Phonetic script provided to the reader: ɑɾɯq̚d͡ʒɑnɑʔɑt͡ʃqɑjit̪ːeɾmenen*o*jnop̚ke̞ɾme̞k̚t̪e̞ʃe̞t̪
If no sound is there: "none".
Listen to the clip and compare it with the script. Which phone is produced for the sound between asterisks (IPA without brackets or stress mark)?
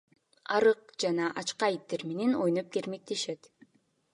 o